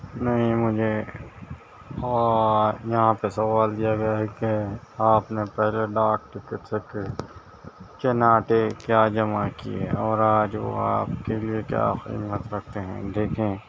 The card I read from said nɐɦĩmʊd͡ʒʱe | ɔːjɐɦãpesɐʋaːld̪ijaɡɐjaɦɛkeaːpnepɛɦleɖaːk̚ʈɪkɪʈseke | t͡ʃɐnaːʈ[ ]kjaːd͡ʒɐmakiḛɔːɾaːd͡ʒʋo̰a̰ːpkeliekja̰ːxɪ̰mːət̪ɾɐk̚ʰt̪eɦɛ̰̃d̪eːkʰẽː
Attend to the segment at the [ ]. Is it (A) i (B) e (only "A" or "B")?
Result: B